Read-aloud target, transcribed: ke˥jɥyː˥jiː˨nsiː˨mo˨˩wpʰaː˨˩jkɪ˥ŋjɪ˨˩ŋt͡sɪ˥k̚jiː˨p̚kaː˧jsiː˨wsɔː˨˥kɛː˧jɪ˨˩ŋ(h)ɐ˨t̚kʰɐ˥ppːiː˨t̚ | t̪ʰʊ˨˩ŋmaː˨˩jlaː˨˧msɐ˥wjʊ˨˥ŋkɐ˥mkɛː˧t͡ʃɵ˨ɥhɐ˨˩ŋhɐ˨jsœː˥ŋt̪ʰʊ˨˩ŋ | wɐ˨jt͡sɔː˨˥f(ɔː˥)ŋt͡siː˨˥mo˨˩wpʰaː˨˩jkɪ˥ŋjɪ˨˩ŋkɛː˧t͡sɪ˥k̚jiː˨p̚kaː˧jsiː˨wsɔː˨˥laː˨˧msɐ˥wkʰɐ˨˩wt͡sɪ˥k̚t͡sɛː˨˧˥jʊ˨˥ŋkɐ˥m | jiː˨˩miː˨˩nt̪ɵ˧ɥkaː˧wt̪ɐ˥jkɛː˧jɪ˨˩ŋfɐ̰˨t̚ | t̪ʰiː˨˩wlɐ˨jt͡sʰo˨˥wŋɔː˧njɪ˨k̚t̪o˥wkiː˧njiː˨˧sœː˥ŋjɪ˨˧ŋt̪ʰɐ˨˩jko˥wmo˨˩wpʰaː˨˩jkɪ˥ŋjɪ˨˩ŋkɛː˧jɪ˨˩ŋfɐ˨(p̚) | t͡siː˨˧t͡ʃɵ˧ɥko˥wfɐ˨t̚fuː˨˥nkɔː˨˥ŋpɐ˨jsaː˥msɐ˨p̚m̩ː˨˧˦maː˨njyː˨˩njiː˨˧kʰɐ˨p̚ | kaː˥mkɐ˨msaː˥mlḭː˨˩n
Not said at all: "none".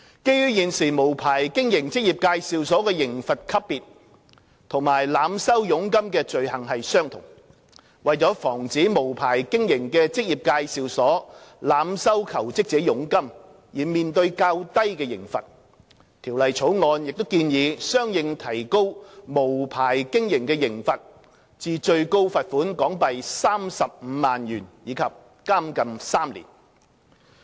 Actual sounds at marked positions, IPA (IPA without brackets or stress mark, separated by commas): f, ɔː˨˩, t̚